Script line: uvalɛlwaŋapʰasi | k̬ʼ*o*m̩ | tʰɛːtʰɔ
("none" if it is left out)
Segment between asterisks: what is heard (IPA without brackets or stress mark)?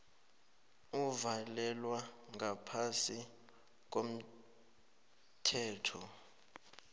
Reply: o